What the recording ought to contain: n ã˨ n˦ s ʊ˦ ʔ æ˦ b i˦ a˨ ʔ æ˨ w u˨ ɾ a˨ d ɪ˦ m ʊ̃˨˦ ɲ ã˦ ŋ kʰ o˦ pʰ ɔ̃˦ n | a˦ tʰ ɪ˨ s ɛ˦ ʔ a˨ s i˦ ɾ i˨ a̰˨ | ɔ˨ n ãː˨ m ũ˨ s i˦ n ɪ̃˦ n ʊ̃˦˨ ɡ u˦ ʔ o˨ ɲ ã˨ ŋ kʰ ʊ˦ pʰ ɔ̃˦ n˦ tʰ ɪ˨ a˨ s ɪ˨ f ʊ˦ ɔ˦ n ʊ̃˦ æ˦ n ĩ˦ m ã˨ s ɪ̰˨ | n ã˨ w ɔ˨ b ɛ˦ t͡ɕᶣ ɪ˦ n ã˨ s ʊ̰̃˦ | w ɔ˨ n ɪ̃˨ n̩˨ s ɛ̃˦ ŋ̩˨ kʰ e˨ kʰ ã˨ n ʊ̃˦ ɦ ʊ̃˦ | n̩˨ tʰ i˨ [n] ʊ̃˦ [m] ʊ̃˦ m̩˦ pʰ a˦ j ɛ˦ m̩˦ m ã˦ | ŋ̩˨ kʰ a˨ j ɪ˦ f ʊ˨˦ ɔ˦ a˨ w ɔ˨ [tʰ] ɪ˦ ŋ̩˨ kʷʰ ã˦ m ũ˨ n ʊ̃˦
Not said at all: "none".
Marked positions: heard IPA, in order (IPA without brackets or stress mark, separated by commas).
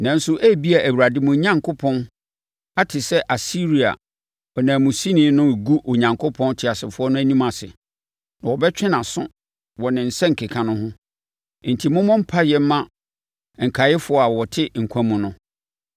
m, m, tʰ